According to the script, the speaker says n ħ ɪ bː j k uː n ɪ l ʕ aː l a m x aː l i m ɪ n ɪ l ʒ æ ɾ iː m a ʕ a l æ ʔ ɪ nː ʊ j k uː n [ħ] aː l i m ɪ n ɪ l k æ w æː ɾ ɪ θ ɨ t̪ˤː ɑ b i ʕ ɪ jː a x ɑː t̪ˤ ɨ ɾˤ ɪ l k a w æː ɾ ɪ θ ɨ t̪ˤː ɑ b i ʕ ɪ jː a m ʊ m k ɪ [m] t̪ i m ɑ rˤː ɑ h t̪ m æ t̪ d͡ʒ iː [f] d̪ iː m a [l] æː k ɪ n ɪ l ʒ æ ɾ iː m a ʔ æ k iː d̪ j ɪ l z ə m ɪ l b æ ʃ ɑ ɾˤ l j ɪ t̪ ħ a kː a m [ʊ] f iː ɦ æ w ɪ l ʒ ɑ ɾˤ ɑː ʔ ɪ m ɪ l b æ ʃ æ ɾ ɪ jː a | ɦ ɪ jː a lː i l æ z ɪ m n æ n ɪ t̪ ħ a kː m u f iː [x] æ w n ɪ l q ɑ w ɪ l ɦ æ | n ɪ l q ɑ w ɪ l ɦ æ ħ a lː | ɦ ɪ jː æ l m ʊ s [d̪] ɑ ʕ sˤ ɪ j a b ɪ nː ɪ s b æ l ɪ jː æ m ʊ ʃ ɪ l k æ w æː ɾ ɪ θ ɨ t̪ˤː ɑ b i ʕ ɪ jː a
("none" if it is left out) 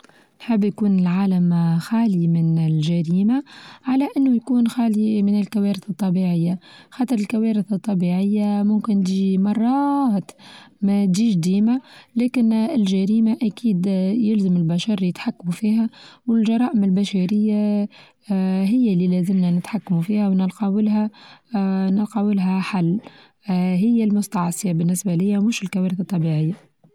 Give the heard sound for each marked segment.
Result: x, n, ʃ, l, u, h, t̪

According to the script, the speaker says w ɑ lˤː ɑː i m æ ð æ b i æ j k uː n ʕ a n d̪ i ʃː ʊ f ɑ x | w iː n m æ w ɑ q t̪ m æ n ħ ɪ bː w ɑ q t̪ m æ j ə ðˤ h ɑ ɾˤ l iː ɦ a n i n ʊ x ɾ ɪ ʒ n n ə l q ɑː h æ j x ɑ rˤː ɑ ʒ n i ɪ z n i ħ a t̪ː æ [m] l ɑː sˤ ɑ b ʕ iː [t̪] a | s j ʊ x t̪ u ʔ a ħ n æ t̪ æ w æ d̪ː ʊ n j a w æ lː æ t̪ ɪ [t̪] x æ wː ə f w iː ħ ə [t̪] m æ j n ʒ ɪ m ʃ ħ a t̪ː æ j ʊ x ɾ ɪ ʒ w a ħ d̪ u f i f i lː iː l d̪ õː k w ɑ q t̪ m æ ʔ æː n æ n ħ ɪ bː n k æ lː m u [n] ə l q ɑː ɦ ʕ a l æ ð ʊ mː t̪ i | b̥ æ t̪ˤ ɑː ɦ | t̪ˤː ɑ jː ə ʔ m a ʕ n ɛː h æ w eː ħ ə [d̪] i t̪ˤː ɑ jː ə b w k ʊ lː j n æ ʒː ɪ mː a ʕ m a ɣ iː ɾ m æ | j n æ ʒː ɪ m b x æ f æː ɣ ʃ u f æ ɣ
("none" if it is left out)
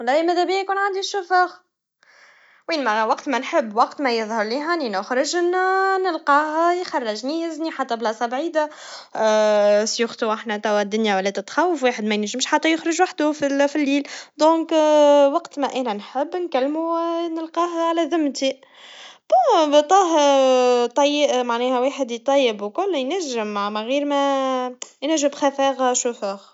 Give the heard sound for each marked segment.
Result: b, d̪, t̪, d̪, n, d̪

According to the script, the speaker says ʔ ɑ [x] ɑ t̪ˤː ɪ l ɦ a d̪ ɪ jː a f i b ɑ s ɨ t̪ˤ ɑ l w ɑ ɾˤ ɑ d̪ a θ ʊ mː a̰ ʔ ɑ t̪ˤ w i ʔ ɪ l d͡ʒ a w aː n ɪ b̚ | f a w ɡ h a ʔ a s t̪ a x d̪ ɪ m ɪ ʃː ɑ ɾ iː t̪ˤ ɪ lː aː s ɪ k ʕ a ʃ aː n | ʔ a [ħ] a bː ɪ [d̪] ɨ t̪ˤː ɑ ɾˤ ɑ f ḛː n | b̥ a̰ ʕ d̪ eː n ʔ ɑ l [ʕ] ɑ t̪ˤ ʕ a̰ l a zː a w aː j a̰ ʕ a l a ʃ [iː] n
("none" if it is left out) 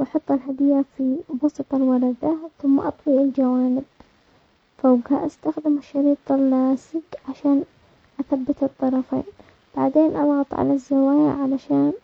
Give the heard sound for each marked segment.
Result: ħ, θ, t̪, ɣ, aː

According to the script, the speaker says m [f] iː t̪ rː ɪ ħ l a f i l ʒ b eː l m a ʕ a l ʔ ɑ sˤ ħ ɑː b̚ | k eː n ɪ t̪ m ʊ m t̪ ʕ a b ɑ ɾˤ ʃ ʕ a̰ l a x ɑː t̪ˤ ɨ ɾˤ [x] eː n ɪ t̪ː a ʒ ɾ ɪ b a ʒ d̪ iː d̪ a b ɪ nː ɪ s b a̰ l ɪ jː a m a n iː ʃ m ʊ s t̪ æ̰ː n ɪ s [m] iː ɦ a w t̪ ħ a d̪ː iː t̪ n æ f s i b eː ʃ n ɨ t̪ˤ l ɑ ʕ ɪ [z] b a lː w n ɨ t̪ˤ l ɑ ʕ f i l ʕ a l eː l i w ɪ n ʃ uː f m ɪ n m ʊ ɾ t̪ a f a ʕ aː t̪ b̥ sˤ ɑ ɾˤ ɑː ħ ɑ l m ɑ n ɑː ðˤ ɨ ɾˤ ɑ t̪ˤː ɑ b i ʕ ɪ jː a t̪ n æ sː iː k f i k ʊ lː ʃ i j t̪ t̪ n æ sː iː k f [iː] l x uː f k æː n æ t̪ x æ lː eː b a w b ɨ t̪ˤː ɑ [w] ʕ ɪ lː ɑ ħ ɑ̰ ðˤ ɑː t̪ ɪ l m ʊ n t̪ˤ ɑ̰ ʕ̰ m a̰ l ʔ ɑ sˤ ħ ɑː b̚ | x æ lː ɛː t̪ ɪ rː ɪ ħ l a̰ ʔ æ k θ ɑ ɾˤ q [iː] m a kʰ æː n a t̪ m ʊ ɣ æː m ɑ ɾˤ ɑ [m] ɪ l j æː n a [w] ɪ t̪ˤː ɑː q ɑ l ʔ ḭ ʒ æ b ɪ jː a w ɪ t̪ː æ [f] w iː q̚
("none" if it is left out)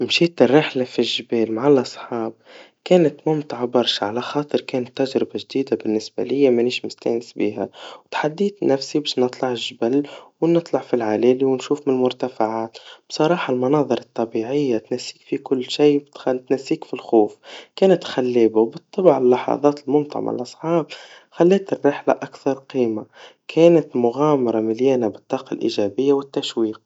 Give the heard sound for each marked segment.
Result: ʃ, k, b, ʒ, i, b, iː, m, b, ʃ

